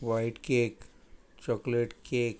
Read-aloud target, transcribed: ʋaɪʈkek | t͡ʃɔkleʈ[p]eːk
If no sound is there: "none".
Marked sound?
k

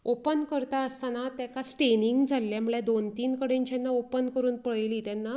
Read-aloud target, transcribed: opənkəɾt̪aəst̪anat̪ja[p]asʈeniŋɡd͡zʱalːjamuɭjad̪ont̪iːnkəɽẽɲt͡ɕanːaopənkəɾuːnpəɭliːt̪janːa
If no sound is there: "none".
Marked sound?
k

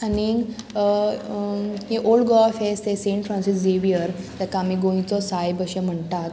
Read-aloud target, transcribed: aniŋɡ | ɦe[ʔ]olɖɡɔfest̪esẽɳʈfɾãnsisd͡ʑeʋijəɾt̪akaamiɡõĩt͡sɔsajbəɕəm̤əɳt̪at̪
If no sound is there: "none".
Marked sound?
ʔ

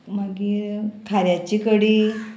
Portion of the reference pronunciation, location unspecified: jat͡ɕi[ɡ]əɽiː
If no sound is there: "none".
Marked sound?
k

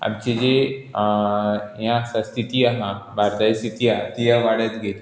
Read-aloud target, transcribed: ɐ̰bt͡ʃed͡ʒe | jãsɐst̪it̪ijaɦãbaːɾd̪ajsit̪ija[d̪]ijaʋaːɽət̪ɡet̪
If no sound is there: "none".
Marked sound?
t̪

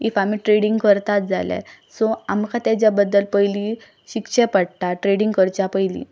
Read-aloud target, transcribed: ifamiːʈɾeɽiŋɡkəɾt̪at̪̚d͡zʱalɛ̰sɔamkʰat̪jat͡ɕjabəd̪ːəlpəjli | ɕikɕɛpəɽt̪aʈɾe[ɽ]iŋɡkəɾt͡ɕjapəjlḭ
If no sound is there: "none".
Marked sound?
ɽ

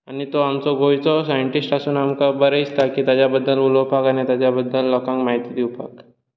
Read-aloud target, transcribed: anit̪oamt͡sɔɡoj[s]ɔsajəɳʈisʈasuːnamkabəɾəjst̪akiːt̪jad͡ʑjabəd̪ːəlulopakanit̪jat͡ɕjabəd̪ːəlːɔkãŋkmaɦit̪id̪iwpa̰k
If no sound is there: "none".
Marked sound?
t͡s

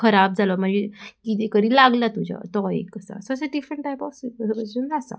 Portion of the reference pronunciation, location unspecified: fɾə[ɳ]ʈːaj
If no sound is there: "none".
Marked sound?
ɳ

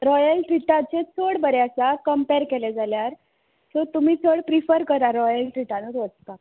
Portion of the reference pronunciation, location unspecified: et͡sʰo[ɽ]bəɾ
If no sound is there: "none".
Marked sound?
ɽ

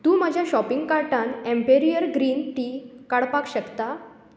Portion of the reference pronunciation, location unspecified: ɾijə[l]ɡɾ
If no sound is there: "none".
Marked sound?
ɾ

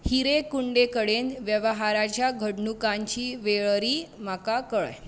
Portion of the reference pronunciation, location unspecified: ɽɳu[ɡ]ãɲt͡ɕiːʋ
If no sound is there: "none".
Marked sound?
k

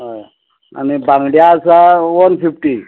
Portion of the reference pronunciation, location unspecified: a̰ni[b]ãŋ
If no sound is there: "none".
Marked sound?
b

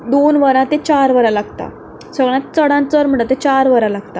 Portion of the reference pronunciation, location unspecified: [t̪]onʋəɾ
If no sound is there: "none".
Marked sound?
d̪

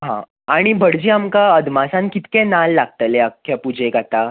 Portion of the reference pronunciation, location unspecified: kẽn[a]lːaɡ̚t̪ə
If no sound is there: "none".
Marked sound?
a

